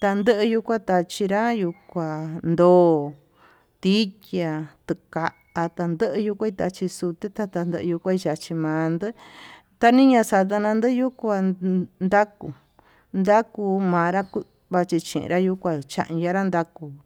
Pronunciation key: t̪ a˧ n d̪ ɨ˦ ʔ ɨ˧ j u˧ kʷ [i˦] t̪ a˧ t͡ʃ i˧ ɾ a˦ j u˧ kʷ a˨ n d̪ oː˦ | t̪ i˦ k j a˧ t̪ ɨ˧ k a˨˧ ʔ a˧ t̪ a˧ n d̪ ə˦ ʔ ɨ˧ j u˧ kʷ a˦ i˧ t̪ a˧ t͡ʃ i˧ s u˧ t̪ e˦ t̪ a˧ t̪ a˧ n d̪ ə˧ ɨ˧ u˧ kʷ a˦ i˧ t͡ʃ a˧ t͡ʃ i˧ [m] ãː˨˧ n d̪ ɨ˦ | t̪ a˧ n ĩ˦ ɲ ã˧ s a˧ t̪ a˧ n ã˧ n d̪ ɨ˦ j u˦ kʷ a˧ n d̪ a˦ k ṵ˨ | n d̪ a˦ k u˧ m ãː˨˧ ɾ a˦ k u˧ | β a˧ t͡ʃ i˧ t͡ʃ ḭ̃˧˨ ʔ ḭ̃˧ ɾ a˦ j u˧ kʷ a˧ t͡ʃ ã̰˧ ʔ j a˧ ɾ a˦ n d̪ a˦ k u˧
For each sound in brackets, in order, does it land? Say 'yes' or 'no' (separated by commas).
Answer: no, yes